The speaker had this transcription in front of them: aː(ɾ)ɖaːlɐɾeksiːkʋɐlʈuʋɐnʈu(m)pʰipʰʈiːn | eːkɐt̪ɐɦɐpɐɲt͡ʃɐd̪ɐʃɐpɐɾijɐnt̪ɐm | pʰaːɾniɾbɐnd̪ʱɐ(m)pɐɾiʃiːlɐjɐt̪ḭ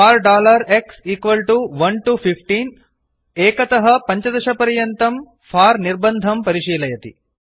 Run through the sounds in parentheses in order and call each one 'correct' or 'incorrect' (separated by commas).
correct, incorrect, correct